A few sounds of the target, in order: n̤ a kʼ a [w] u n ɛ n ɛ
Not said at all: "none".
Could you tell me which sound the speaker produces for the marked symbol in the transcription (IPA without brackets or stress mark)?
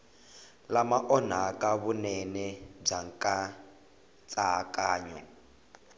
β